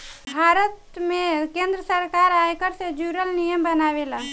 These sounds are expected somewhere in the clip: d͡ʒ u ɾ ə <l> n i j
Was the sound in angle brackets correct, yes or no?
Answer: yes